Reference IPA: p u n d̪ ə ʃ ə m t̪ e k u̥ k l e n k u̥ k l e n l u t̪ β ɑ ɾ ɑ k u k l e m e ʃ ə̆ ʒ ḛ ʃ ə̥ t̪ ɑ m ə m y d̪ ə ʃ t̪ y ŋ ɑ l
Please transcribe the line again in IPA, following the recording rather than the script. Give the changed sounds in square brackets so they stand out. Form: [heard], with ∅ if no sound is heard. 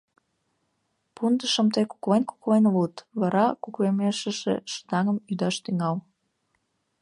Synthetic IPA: p u n d̪ ə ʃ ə m t̪ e k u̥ k l e n k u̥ k l e n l u t̪ β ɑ ɾ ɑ k u k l e m e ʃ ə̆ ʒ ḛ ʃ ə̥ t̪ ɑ [ŋ] ə m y d̪ [ɑ] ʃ t̪ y ŋ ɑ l